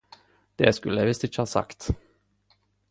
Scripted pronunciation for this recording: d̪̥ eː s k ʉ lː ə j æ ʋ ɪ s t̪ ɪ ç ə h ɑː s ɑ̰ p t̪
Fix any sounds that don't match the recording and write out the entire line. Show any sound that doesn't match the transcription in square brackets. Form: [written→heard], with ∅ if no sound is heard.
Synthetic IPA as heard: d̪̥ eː s k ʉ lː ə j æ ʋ ɪ s t̪ ɪ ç ə h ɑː s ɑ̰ [p→k] t̪